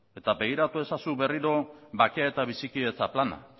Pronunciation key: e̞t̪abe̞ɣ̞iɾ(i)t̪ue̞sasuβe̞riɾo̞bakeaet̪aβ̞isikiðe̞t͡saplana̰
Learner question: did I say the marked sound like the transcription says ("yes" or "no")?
no